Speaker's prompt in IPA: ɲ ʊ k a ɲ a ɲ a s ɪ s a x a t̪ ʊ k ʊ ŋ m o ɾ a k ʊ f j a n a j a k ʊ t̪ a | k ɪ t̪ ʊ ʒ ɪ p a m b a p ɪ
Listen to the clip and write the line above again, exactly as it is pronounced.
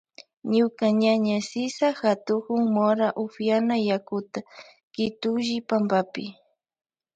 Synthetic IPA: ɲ ʊ k a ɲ a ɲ a s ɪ s a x a t̪ ʊ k ʊ ŋ m o ɾ a ʔ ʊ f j a n a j a k ʊ t̪ a | k ɪ t̪ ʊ ʒ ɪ p a m b a p ɪ